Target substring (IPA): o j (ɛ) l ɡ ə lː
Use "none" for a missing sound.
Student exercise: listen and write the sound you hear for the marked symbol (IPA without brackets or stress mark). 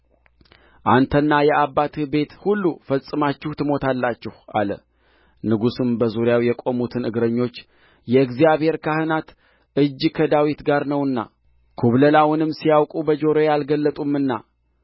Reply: a